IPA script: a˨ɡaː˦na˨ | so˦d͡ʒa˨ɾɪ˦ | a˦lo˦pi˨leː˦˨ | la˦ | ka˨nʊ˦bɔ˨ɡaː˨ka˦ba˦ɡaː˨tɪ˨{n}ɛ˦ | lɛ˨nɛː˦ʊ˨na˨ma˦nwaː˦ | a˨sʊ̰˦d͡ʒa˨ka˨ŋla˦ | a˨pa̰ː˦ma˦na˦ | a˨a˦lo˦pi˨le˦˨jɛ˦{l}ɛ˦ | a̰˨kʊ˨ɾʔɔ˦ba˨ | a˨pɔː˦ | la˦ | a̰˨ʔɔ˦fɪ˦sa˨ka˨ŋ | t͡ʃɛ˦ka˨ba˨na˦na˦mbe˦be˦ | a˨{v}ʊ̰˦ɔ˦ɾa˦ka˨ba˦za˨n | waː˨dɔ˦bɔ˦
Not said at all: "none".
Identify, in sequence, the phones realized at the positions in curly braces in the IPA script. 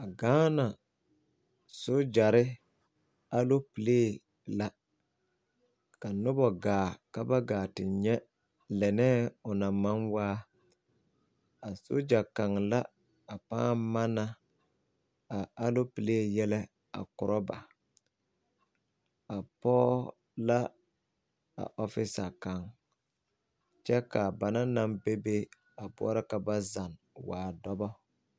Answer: ɲ, l, b

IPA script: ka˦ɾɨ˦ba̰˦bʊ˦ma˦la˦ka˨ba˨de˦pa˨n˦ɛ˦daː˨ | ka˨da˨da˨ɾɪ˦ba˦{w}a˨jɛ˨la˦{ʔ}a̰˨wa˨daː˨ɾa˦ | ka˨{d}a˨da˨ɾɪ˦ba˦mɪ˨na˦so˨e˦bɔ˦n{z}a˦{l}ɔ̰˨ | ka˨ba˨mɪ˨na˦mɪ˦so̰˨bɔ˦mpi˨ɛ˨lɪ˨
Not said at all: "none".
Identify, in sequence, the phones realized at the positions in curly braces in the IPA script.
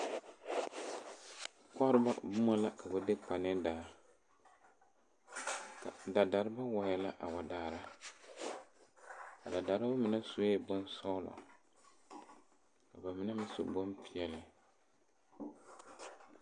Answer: w, ʔ, d, s, l

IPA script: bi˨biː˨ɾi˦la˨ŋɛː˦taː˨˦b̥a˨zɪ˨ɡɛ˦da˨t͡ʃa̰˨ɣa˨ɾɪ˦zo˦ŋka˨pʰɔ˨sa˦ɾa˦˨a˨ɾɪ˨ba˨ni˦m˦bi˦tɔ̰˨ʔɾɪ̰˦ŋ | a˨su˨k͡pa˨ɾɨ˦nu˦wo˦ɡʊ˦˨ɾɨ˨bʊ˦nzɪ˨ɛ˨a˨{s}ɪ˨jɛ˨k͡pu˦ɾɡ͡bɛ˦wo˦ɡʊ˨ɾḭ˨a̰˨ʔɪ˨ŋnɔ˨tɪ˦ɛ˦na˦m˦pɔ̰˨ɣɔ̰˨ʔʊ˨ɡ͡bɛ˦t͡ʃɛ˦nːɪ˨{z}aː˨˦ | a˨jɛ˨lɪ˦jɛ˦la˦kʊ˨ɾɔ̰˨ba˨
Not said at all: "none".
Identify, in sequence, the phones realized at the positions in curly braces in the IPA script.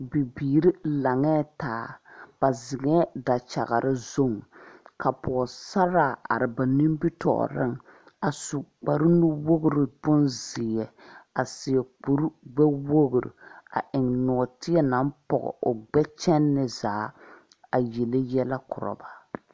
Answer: s, z

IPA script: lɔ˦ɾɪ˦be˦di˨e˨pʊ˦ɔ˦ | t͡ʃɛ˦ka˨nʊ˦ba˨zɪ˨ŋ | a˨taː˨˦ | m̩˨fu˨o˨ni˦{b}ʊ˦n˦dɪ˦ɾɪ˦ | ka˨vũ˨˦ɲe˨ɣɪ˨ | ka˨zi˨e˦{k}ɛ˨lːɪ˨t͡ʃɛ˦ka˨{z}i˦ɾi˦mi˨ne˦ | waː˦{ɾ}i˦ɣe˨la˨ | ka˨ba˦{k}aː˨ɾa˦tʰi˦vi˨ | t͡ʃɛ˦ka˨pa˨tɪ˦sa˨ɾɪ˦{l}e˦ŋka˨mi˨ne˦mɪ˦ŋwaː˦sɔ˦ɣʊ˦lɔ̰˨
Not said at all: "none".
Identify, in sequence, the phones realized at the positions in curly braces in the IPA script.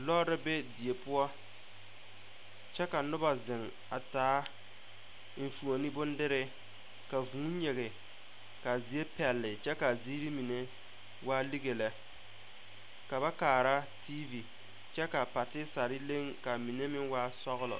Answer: b, p, z, l, k, l

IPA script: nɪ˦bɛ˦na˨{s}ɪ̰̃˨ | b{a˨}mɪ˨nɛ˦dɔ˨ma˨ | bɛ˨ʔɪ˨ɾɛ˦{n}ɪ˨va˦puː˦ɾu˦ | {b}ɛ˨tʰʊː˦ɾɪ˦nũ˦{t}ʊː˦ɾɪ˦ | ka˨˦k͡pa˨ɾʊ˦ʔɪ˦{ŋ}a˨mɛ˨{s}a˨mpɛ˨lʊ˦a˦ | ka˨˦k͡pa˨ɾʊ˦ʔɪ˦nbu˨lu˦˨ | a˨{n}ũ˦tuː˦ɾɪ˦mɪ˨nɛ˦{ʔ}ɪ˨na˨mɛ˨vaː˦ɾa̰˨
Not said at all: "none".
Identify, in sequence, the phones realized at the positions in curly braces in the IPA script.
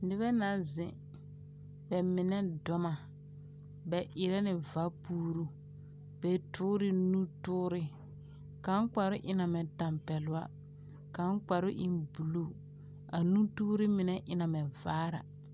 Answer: z, ɛ˨, n, b, t, n, t, n, ʔ

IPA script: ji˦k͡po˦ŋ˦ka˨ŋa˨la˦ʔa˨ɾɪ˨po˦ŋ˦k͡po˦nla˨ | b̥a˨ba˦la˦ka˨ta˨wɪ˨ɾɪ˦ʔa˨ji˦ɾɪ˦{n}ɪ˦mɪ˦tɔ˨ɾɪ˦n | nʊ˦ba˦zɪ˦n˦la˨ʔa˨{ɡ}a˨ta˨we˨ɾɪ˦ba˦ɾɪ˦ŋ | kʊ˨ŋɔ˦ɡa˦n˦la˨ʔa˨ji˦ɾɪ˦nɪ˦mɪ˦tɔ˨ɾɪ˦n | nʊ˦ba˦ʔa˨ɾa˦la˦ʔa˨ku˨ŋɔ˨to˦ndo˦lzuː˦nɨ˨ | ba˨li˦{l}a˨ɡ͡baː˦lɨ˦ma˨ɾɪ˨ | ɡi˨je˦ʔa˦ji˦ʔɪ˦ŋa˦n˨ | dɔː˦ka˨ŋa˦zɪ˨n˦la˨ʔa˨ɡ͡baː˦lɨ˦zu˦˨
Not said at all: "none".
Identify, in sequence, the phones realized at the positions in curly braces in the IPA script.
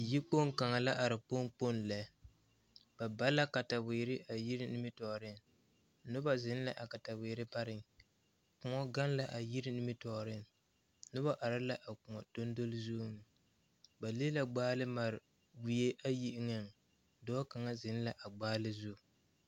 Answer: n, k, l

